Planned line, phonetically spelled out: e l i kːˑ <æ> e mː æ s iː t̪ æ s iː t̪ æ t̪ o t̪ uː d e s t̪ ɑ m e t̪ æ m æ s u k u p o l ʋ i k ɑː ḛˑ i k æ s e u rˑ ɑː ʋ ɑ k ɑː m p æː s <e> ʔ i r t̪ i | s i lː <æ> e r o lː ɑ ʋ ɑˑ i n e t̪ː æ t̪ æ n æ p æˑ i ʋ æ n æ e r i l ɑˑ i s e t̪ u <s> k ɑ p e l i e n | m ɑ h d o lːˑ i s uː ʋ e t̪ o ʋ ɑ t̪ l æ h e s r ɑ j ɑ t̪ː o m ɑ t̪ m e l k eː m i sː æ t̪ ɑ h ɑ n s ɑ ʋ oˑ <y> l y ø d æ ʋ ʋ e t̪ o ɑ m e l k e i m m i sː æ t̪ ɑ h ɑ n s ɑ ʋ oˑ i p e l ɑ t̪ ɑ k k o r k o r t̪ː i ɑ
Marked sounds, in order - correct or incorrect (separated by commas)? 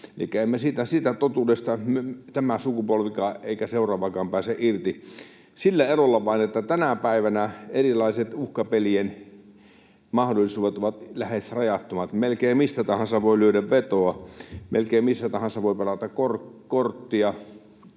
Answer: correct, correct, correct, incorrect, incorrect